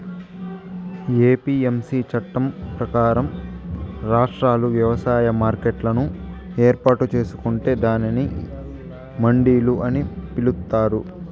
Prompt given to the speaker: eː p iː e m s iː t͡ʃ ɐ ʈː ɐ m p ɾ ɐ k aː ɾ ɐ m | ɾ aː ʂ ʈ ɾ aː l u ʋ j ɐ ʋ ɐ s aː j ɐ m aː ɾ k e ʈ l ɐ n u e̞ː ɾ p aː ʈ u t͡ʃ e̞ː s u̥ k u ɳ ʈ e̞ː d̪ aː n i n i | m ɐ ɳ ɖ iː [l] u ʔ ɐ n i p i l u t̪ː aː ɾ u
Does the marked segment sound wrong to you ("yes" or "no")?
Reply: no